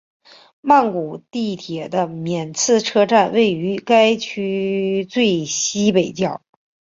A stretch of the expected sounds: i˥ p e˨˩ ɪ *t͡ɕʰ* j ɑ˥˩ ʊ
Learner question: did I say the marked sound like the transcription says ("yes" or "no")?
no